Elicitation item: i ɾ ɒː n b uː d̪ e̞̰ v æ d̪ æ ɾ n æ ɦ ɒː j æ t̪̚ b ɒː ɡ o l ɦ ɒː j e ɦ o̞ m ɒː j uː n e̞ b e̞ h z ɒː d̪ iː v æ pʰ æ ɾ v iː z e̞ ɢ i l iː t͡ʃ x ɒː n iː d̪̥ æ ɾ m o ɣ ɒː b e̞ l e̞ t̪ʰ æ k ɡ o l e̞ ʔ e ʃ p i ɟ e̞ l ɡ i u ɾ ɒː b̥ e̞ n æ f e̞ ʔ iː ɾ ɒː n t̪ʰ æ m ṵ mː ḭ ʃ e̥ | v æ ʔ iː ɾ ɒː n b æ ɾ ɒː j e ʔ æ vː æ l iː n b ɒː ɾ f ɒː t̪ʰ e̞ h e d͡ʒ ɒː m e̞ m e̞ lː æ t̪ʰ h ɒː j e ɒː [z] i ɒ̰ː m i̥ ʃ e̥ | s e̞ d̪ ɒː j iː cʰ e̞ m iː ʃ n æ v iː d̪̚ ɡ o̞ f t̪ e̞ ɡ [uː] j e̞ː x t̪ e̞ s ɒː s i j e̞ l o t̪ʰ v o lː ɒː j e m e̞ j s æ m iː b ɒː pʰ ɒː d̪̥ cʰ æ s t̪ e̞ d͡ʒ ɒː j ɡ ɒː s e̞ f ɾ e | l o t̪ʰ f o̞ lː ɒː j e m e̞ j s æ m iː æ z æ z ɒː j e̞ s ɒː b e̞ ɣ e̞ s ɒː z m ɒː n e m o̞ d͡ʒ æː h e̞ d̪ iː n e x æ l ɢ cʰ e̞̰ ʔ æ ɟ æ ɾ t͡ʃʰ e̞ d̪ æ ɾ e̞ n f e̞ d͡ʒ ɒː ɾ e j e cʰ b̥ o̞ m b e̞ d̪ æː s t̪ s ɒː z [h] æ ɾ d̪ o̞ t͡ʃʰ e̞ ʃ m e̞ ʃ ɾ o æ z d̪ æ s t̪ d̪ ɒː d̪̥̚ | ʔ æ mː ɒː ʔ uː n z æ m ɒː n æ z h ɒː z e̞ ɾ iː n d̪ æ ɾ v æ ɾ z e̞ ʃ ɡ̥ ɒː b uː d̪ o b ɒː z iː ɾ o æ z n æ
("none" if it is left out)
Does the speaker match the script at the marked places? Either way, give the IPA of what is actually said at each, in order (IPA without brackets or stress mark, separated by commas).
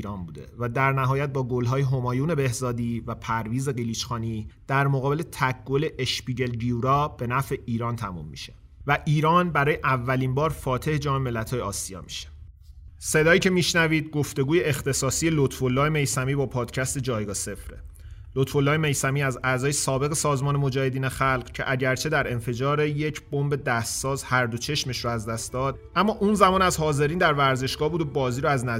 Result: s, uː, h